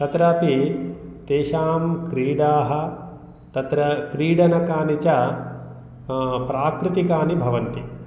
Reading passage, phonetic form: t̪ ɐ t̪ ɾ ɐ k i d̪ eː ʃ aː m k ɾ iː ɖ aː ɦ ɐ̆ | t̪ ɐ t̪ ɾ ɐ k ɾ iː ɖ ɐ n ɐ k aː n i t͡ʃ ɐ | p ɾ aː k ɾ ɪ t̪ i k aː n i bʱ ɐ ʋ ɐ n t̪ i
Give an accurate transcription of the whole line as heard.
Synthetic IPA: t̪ ɐ t̪ ɾ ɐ p i t̪ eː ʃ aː m k ɾ iː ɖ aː ɦ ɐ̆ | t̪ ɐ t̪ ɾ ɐ k ɾ iː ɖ ɐ n ɐ k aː n i t͡ʃ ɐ | p ɾ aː k ɾ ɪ t̪ i k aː n i bʱ ɐ ʋ ɐ n t̪ i